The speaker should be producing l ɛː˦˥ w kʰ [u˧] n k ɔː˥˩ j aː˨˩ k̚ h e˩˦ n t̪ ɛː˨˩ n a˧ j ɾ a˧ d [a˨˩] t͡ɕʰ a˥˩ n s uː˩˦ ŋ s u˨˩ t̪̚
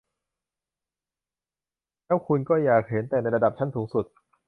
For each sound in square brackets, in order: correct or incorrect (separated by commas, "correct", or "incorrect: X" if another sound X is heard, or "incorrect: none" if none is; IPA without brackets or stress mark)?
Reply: correct, correct